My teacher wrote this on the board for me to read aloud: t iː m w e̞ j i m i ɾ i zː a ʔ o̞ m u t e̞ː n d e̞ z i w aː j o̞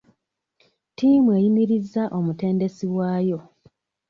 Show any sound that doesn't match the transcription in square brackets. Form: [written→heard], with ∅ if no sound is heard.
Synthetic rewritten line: t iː m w e̞ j i m i ɾ i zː a ʔ o̞ m u t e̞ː n d e̞ [z→s] i w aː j o̞